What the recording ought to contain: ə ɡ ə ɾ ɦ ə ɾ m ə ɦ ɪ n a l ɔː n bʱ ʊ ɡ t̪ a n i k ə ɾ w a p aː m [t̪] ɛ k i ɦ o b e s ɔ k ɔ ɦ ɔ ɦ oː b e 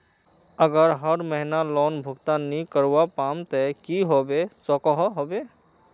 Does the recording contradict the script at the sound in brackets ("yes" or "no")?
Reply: no